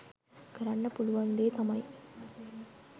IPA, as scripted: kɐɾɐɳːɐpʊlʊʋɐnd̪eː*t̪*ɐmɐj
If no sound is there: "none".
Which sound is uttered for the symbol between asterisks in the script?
t̪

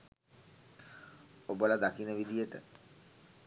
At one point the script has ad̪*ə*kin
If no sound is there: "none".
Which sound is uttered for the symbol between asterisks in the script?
a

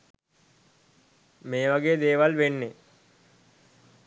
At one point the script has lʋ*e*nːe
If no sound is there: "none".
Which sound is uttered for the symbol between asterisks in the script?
e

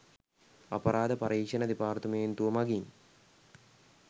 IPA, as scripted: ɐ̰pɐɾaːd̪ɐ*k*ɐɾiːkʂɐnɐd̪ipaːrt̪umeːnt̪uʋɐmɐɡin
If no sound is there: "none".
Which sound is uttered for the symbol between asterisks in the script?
p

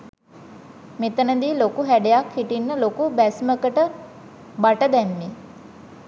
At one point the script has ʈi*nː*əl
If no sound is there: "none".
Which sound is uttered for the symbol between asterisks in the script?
nː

